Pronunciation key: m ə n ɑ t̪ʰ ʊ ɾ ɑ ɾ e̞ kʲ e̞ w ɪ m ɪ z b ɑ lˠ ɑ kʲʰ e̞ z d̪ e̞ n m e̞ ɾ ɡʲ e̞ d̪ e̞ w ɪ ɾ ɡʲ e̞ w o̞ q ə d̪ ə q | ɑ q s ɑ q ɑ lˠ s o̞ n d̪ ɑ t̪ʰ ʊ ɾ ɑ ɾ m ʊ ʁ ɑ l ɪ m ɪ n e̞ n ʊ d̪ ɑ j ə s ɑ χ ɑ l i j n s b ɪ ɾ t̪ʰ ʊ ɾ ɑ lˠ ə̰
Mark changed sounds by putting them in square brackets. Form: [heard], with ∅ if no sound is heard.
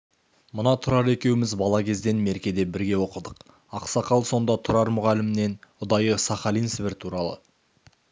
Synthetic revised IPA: m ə n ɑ t̪ʰ ʊ ɾ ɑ ɾ e̞ kʲ e̞ w ɪ m ɪ z b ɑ lˠ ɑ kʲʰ e̞ z d̪ e̞ n m e̞ ɾ [kʲ] e̞ d̪ e̞ [b] ɪ ɾ ɡʲ e̞ w o̞ q ə d̪ ə q | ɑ q s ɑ q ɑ lˠ s o̞ n d̪ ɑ t̪ʰ ʊ ɾ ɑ ɾ m ʊ ʁ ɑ l ɪ m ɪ n e̞ n ʊ d̪ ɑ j ə s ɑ χ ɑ l i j n s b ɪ ɾ t̪ʰ [u] ɾ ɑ lˠ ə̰